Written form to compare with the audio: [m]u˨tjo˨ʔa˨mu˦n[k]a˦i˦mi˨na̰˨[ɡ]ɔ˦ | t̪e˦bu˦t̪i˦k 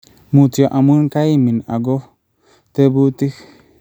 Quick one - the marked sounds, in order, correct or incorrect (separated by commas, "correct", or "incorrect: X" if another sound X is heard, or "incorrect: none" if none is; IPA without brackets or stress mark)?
correct, correct, correct